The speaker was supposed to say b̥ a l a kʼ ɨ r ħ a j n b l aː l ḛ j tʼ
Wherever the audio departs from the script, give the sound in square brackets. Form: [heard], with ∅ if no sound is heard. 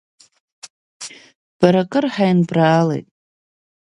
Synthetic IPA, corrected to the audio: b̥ a [ɾ] a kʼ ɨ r ħ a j n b [r] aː l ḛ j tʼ